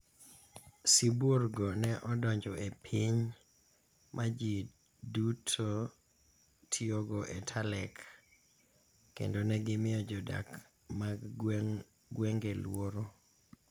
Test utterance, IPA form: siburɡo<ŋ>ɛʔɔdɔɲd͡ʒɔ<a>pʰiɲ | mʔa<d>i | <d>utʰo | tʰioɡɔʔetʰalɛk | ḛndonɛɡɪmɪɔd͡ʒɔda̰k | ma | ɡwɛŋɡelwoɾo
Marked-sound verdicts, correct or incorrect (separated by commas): incorrect, incorrect, incorrect, correct